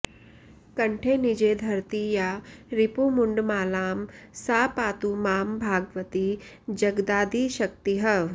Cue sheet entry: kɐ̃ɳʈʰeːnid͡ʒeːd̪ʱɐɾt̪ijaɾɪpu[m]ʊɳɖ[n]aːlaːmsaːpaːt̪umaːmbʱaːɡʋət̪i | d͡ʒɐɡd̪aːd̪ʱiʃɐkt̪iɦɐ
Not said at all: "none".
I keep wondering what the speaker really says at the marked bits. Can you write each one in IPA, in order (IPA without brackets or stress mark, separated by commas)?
m, m